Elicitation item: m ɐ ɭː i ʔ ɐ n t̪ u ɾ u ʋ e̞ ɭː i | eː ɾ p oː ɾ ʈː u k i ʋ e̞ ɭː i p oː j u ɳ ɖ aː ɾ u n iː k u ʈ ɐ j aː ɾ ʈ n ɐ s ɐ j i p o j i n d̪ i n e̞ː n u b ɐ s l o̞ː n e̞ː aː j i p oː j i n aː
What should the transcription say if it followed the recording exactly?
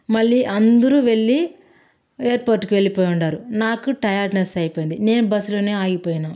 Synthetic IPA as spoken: m ɐ ɭː i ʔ ɐ n d̪ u ɾ u ʋ e̞ ɭː i | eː ɾ p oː ɾ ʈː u k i ʋ e̞ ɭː i p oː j u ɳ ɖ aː ɾ u n aː k u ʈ ɐ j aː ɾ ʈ n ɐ s ɐ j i p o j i n d̪ i n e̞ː n u b ɐ s l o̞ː n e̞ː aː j i p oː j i n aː

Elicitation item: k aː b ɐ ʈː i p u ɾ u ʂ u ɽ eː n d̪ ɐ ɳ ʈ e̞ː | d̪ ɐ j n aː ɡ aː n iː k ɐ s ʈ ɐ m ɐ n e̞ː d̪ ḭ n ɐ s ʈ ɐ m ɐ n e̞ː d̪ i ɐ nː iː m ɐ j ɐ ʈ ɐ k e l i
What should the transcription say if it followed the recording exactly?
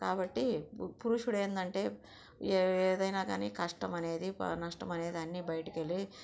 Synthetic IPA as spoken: k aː b ɐ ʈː i p u ɾ u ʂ u ɽ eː n d̪ ɐ ɳ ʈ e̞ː | d̪ ɐ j n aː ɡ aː n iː k ɐ ʂ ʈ ɐ m ɐ n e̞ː d̪ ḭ n ɐ ʂ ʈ ɐ m ɐ n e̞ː d̪ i ɐ nː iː b ɐ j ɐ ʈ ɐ k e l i

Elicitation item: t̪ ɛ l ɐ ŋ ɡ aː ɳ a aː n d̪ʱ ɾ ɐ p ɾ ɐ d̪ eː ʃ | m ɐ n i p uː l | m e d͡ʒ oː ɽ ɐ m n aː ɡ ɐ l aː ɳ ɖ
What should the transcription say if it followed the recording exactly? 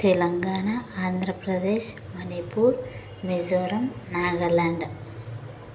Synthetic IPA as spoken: t̪ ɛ l ɐ ŋ ɡ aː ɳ a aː n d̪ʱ ɾ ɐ p ɾ ɐ d̪ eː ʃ | m ɐ n i p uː ɾ | m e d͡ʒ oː ɾ ɐ m n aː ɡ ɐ l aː ɳ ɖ

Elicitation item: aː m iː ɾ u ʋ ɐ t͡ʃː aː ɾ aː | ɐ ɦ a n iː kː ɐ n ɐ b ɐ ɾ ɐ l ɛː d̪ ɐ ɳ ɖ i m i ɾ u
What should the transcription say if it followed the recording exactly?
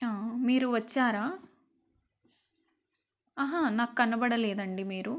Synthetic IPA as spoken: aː m iː ɾ u ʋ ɐ t͡ʃː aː ɾ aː | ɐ ɦ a n aː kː ɐ n ɐ b ɐ ɽ ɐ l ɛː d̪ ɐ ɳ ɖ i m iː ɾ u

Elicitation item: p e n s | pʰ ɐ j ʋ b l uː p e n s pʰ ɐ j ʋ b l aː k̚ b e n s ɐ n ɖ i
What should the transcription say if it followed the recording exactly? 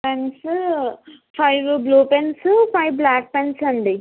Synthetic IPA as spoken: p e n s | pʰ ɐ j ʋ b l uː p e n s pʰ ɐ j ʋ b l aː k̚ p e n s ɐ ɳ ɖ i

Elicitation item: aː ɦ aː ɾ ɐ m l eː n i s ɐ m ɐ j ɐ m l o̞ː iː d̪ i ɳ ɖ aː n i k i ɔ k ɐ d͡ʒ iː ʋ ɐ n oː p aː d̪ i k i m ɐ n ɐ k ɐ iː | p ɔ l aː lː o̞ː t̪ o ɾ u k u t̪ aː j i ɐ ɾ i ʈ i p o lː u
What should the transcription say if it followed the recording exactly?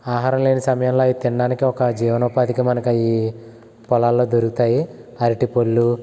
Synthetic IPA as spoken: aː ɦ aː ɾ ɐ m l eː n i s ɐ m ɐ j ɐ m l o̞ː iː t̪ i ɳ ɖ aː n i k i ɔ k ɐ d͡ʒ iː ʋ ɐ n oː p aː d̪ i k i m ɐ n ɐ k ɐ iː | p ɔ l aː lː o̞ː d̪ o ɾ u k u t̪ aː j i ɐ ɾ i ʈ i p o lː u

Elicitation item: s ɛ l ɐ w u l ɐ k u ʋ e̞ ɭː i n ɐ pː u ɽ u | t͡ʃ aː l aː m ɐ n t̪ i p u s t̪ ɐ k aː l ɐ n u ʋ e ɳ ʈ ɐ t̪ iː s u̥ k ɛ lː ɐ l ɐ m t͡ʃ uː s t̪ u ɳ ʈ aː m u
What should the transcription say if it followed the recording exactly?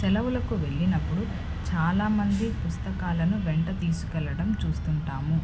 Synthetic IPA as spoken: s ɛ l ɐ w u l ɐ k u ʋ e̞ ɭː i n ɐ pː u ɽ u | t͡ʃ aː l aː m ɐ n d̪ i p u s t̪ ɐ k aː l ɐ n u ʋ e ɳ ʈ ɐ t̪ iː s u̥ k ɛ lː ɐ ɽ ɐ m t͡ʃ uː s t̪ u ɳ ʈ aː m u

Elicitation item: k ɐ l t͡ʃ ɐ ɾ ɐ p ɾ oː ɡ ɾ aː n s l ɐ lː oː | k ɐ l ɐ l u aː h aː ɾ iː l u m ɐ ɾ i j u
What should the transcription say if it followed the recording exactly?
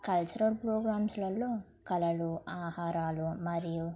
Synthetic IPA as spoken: k ɐ l t͡ʃ ɐ ɾ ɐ p ɾ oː ɡ ɾ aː m s l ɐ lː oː | k ɐ l ɐ l u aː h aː ɾ aː l u m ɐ ɾ i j u

